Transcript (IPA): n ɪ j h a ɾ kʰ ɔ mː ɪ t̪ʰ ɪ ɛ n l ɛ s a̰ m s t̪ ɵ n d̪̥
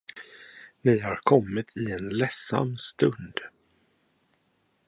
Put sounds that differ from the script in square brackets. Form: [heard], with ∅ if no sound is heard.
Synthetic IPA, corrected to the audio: n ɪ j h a ɾ kʰ ɔ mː ɪ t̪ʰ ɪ ɛ n l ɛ s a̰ m s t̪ ɵ n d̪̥